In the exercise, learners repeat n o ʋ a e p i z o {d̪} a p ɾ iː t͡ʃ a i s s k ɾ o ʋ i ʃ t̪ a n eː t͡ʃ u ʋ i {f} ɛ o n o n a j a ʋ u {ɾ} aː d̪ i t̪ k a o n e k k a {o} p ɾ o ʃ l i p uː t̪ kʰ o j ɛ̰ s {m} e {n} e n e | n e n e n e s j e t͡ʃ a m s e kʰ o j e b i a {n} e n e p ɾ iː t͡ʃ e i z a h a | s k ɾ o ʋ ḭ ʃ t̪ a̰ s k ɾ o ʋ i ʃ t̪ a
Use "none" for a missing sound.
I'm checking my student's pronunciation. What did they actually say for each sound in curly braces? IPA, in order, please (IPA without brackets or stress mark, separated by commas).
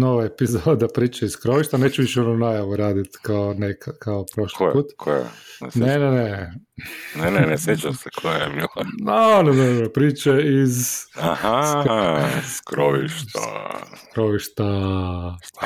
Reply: d̪, ʃ, ɾ, o, n, n, n